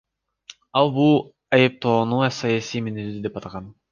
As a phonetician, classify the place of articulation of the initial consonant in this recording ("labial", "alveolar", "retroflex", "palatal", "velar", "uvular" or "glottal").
alveolar